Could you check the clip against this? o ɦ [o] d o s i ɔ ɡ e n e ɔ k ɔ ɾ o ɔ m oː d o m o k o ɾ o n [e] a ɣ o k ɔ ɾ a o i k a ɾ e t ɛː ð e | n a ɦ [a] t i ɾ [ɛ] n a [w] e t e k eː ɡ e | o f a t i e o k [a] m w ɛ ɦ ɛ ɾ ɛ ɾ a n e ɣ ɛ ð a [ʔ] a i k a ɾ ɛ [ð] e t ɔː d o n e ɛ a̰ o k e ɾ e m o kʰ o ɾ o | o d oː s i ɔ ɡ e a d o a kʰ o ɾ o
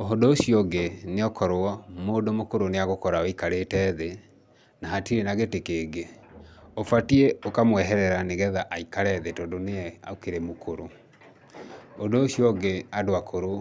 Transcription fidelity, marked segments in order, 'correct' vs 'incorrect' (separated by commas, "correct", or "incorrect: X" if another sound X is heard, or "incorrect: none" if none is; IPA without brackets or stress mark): correct, correct, correct, incorrect: e, incorrect: ɣ, correct, correct, correct